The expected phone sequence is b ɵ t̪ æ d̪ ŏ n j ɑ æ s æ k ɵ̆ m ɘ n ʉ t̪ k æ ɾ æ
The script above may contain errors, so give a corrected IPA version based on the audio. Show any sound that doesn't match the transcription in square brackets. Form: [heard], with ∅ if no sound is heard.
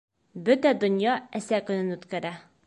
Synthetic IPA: b ɵ t̪ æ d̪ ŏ n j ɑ æ s æ k ɵ̆ [n] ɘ n ʉ t̪ k æ ɾ æ